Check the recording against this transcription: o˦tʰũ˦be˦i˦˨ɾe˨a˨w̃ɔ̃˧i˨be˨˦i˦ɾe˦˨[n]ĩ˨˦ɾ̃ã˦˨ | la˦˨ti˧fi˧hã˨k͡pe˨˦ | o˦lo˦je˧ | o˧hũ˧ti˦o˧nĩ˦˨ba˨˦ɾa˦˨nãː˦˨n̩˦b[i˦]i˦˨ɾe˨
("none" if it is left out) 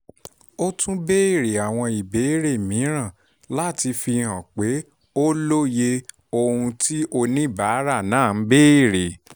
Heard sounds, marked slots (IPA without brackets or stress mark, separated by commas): m, e˦